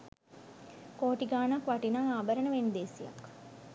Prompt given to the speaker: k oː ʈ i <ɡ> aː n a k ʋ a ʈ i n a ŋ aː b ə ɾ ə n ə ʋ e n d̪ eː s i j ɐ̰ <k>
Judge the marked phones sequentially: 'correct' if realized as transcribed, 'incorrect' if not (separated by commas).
correct, correct